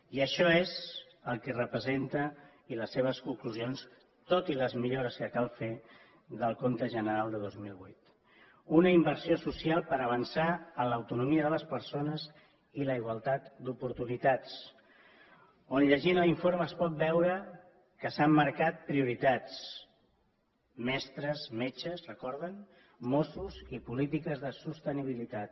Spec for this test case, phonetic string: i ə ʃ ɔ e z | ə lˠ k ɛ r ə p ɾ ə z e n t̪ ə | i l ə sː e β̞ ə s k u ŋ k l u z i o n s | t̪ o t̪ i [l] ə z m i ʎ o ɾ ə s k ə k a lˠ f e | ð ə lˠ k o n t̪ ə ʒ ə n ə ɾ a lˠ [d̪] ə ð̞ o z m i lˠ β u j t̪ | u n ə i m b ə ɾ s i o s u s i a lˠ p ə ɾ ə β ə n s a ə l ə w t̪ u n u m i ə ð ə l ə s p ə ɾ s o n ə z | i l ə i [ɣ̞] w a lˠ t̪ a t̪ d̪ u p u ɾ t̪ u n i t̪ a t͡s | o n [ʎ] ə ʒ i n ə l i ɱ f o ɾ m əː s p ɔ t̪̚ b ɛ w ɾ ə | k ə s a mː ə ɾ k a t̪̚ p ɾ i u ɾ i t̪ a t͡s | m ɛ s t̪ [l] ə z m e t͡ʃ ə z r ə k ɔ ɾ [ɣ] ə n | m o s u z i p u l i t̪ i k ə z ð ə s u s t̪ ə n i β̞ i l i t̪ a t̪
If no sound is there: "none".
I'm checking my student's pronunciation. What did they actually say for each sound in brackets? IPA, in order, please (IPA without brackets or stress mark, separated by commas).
l, d̪, ɣ̞, ʎ, ɾ, ð